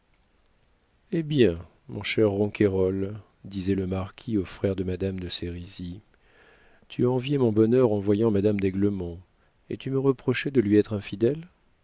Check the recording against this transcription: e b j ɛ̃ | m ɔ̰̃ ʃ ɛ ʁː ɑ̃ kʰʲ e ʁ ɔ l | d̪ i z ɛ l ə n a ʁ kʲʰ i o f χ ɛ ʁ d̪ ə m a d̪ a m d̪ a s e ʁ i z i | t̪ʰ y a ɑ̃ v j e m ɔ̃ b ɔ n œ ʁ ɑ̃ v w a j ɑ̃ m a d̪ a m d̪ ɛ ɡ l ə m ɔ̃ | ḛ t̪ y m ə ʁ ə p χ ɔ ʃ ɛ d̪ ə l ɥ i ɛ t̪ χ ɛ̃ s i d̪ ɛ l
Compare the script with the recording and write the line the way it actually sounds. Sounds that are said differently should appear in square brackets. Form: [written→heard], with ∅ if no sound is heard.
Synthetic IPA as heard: e b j ɛ̃ | m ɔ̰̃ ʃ ɛ ʁː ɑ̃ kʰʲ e ʁ ɔ l | d̪ i z ɛ l ə [n→m] a ʁ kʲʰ i o f χ ɛ ʁ d̪ ə m a d̪ a m d̪ [a→ə] s e ʁ i z i | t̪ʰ y a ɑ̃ v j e m ɔ̃ b ɔ n œ ʁ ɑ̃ v w a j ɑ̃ m a d̪ a m d̪ ɛ ɡ l ə m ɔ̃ | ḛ t̪ y m ə ʁ ə p χ ɔ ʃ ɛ d̪ ə l ɥ i ɛ t̪ χ ɛ̃ [s→f] i d̪ ɛ l